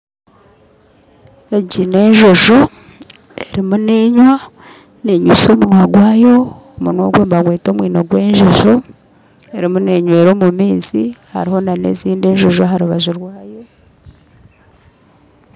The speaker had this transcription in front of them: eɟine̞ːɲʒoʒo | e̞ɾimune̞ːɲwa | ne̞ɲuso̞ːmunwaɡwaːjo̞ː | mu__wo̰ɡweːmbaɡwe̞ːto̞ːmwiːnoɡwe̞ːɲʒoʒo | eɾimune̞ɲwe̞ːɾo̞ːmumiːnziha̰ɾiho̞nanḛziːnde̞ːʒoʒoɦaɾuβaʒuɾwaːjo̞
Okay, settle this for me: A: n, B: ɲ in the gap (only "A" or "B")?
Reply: A